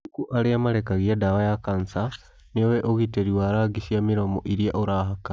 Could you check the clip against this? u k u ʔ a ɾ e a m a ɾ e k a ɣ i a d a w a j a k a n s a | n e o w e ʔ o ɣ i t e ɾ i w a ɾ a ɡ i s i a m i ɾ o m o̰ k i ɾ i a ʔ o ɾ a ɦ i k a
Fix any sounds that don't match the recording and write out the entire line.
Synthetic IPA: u k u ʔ a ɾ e a m a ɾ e k a ɣ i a d a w a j a k a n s a | n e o w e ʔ o ɣ i t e ɾ i w a ɾ a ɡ i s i a m i ɾ o m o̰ ʔ i ɾ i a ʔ o ɾ a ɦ a k a